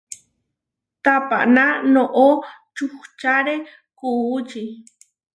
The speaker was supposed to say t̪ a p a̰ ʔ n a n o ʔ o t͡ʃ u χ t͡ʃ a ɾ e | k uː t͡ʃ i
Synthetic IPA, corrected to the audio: t̪ a p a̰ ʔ n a n o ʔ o t͡ʃ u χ t͡ʃ a ɾ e | k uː t͡ʃ i